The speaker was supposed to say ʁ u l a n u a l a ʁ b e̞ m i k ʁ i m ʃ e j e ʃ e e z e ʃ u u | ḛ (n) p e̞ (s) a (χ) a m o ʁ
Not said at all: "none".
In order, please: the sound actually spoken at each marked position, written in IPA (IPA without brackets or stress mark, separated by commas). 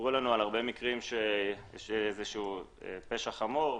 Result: none, ʃ, χ